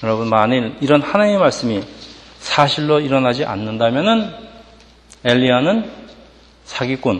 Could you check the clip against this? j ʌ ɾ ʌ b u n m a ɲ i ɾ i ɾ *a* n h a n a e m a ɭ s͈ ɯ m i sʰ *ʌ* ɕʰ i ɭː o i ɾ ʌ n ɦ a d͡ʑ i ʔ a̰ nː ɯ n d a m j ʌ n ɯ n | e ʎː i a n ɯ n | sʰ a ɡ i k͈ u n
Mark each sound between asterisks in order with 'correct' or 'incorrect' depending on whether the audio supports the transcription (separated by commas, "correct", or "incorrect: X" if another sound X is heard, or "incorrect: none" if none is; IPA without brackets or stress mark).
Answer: incorrect: ʌ, incorrect: a